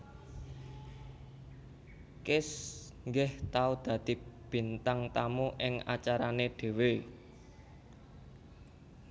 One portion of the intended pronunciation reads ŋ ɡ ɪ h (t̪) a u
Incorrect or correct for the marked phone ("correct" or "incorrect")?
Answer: correct